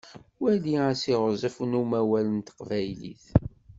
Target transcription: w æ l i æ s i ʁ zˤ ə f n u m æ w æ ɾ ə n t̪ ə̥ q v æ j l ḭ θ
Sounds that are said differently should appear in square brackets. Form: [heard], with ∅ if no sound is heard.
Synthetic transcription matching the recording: w æ l i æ s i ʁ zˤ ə f n u m æ w æ [l] ə n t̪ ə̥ q v æ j l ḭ θ